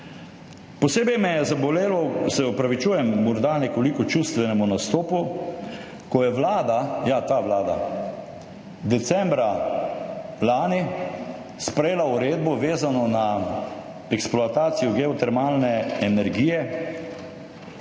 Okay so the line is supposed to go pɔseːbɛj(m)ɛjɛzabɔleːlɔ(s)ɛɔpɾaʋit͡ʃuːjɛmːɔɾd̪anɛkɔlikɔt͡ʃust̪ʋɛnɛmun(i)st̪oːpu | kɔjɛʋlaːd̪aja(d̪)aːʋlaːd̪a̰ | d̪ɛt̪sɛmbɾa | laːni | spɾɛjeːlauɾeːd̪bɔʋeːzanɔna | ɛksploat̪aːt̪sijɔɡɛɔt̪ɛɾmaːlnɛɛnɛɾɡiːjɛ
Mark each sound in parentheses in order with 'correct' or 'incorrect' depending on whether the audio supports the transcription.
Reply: correct, correct, incorrect, incorrect

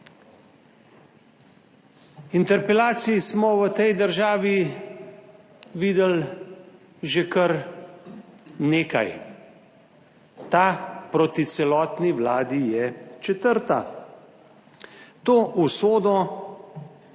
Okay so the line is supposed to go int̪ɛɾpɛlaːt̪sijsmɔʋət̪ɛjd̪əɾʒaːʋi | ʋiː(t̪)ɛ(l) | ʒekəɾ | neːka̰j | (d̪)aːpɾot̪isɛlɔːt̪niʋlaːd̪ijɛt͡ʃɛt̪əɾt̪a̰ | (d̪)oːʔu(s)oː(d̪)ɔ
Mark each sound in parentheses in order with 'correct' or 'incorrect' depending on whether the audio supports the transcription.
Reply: incorrect, correct, incorrect, incorrect, correct, correct

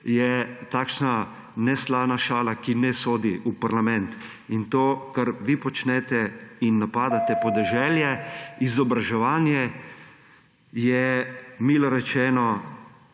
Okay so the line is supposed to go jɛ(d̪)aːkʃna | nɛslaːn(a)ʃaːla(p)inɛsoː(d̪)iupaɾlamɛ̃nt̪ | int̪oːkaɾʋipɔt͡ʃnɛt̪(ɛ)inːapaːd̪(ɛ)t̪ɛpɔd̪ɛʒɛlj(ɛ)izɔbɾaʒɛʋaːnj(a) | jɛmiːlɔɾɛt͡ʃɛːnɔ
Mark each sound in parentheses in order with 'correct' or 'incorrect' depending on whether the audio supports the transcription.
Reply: incorrect, correct, incorrect, correct, correct, incorrect, correct, incorrect

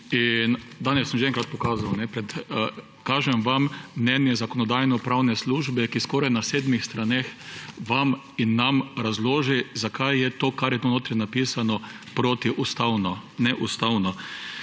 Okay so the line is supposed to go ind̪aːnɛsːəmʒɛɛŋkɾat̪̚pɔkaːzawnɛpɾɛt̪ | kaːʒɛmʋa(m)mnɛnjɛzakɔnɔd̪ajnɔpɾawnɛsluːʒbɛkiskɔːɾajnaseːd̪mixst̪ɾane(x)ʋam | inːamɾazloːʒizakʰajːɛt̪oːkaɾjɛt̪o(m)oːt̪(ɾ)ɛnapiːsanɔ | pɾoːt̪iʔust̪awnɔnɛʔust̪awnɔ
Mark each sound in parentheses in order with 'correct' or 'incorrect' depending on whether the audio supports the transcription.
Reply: correct, correct, incorrect, correct

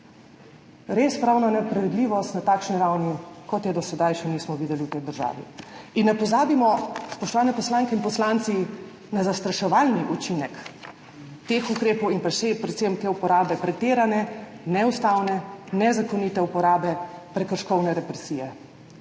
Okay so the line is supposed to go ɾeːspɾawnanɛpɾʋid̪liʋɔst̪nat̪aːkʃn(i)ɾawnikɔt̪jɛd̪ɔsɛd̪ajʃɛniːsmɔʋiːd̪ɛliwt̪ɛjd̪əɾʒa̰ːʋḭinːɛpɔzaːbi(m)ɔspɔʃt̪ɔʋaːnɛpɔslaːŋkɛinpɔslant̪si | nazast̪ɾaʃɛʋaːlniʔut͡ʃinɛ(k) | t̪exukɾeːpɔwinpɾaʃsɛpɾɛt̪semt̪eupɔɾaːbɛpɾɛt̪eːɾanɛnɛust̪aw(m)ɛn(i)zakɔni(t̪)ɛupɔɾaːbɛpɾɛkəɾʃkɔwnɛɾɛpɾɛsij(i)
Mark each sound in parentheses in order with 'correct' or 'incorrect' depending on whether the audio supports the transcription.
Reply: correct, correct, correct, incorrect, incorrect, correct, incorrect

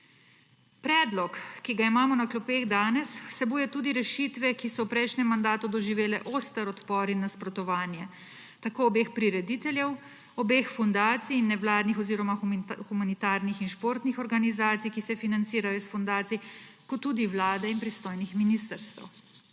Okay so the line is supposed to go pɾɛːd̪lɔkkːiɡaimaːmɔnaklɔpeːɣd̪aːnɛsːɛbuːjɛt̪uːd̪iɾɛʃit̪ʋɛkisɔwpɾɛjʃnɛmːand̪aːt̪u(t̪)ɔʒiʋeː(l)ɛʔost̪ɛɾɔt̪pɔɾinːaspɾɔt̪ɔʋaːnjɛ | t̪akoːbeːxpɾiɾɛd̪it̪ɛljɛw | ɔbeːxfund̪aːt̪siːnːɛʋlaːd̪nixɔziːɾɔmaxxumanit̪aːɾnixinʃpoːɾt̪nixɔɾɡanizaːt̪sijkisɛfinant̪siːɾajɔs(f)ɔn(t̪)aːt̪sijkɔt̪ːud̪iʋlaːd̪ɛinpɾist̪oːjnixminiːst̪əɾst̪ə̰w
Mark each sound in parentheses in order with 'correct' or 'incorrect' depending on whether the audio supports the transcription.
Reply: incorrect, correct, correct, incorrect

